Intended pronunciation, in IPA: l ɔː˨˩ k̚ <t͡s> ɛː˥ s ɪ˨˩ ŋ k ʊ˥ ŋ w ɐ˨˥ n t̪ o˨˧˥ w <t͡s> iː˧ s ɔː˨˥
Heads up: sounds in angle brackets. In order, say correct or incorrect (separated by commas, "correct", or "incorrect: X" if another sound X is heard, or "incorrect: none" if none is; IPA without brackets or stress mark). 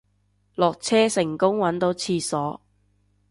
incorrect: t͡sʰ, incorrect: t͡sʰ